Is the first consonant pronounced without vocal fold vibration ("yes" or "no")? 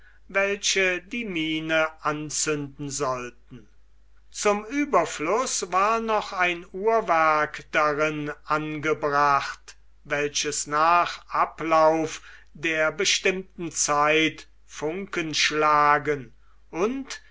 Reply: no